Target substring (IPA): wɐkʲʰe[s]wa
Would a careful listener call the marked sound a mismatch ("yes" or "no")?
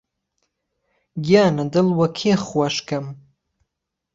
yes